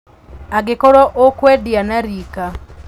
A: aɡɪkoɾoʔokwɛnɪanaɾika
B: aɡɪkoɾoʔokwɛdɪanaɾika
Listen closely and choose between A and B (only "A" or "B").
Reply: B